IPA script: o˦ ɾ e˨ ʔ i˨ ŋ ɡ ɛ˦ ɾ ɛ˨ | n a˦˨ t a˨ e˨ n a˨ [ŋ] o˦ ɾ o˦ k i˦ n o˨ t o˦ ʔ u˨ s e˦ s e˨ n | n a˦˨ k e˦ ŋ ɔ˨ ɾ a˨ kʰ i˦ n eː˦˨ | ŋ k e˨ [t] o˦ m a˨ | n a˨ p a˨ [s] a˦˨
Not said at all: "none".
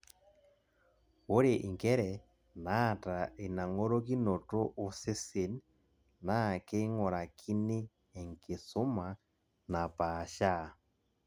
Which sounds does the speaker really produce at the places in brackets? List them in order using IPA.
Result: ŋ, s, ʃ

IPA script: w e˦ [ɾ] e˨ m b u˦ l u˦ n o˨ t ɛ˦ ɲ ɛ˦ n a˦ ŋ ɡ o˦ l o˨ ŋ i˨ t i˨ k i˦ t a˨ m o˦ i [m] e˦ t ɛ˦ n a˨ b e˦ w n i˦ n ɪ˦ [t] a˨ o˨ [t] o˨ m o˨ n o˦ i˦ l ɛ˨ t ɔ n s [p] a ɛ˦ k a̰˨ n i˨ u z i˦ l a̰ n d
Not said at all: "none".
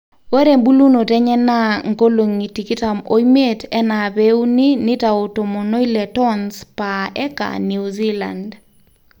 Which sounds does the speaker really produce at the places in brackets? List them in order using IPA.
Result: ɾ, m, t, t, p

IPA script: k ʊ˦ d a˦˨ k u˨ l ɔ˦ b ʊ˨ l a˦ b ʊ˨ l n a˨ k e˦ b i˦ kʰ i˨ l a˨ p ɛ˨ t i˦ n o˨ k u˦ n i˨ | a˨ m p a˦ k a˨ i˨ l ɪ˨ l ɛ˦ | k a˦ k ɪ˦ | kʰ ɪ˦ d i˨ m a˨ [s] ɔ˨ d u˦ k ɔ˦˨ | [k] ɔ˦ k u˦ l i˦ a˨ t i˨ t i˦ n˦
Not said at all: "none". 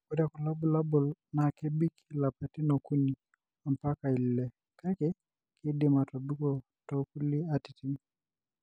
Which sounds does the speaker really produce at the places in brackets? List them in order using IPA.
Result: t, t

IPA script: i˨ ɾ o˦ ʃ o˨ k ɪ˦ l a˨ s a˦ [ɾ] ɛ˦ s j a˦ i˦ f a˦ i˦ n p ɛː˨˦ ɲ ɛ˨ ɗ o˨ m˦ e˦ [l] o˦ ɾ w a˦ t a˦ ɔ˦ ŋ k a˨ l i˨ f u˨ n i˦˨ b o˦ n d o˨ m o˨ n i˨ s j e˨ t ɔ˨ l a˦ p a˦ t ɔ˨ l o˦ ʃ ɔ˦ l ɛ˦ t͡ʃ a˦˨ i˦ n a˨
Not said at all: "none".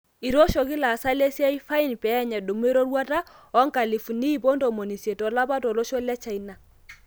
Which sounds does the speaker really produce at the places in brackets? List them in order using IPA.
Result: l, ɾ

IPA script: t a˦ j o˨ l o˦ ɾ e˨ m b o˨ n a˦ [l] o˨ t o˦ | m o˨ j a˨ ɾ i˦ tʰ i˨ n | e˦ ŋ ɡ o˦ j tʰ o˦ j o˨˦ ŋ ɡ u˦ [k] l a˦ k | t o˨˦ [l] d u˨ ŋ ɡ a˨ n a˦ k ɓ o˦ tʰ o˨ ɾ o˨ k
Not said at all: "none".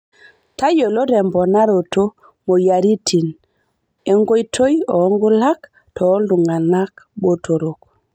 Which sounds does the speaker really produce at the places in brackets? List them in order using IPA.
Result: ɾ, none, l

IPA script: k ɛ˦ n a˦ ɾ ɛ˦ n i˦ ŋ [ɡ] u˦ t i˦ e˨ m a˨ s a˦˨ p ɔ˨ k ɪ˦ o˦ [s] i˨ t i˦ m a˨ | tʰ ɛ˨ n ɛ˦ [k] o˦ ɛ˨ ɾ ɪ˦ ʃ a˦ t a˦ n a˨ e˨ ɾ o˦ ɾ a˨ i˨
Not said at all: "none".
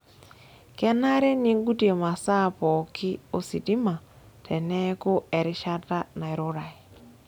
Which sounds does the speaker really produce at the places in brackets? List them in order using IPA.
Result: ɡ, s, k

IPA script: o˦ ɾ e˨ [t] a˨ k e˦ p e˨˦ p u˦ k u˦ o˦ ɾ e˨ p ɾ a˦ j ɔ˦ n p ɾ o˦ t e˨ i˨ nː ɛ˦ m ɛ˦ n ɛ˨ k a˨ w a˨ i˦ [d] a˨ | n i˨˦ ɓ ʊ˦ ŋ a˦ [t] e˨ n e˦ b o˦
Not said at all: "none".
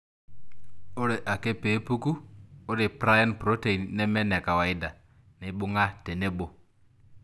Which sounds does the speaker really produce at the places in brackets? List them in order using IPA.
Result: ʔ, d, t

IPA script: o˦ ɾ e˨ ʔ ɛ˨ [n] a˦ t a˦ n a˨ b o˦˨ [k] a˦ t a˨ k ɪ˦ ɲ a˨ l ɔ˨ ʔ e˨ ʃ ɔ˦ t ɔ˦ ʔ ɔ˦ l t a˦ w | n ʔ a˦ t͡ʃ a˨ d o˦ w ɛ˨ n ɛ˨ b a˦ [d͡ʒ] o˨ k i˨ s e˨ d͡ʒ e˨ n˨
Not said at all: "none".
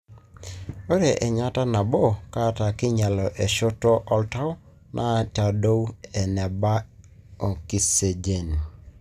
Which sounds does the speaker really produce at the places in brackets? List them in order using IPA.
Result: ɲ, k, none

